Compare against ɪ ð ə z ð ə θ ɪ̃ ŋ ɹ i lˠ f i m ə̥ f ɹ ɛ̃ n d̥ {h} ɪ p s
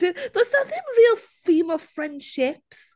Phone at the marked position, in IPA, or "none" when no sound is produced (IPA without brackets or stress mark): ʃ